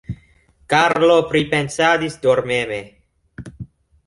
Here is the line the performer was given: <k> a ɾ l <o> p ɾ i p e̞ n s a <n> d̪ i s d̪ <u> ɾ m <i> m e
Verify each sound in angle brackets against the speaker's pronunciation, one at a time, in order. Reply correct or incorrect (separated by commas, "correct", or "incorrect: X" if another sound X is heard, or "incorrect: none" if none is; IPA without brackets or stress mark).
correct, correct, incorrect: none, incorrect: o, incorrect: e